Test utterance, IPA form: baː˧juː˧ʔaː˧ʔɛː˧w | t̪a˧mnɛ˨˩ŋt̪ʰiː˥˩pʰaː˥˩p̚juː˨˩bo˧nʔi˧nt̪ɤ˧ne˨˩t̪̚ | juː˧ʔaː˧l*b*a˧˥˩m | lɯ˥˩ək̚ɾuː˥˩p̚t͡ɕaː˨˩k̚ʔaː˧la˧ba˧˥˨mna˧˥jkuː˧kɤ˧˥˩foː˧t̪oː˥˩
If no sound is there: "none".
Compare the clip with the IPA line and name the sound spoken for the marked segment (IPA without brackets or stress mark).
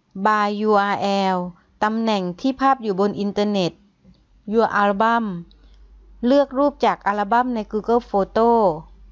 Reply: b